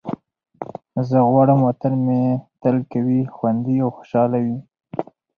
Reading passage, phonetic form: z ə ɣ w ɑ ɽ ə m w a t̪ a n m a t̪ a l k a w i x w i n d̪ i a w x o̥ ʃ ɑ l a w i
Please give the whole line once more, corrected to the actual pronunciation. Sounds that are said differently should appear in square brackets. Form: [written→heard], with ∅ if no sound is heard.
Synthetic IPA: z ə ɣ w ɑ ɽ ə m w a t̪ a n m [a→e] t̪ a l k a w i x w [i→a] n d̪ i a w x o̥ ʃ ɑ l a w i